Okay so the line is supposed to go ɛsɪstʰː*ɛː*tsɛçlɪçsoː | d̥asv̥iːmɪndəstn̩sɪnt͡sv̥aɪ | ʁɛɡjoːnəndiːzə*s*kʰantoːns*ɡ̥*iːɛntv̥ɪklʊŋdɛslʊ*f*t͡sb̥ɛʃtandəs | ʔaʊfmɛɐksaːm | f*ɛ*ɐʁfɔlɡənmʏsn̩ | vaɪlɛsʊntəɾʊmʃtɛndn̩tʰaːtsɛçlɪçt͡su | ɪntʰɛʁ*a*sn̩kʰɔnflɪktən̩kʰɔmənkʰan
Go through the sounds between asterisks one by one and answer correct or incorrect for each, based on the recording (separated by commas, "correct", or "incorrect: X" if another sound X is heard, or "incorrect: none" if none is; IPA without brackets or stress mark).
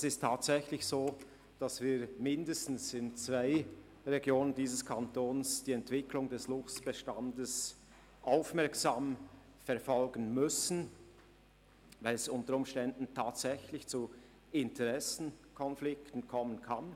incorrect: aː, correct, incorrect: d̥, correct, correct, incorrect: ɛ